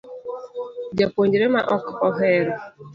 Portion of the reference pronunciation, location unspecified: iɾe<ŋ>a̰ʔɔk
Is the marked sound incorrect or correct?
incorrect: m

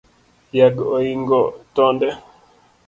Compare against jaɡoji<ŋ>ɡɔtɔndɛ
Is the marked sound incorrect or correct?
correct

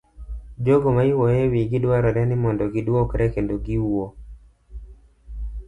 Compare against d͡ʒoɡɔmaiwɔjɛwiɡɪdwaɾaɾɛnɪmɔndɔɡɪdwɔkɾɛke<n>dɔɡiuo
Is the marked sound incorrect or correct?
correct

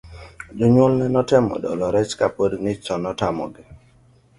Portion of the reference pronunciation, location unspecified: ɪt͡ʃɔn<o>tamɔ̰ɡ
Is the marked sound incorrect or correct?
incorrect: ɔ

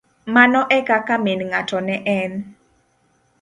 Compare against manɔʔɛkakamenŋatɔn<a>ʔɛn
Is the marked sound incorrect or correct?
incorrect: ɛ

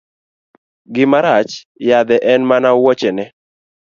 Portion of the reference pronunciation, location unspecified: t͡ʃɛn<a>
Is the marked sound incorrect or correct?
incorrect: ɛ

